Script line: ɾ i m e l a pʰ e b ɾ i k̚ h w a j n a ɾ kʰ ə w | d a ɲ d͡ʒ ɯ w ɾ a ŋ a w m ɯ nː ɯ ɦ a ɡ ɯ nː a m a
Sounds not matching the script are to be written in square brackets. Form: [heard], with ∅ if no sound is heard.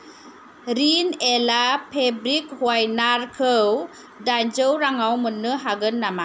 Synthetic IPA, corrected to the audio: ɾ i [n] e l a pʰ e b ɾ i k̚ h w a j n a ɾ kʰ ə w | d a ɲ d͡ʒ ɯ w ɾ a ŋ a w m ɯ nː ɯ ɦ a ɡ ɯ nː a m a